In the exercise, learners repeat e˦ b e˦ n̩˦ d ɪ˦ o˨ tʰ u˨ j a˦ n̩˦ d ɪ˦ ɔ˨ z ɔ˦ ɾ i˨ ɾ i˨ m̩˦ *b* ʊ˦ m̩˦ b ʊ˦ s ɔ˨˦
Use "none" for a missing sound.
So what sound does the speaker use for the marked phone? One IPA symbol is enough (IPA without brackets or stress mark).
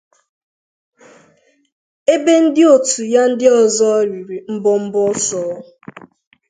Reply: b